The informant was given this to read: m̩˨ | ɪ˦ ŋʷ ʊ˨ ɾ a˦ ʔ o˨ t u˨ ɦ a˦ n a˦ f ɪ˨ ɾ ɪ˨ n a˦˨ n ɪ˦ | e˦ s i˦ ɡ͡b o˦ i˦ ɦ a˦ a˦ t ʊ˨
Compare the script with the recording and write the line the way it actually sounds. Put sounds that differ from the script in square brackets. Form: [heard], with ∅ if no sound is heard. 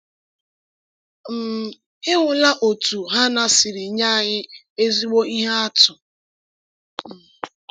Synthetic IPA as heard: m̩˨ | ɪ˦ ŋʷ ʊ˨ [l] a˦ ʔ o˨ t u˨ ɦ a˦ n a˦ [s] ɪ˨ ɾ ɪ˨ [ɲ] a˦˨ [ɲ] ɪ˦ | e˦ [z] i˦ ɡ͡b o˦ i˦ ɦ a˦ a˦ t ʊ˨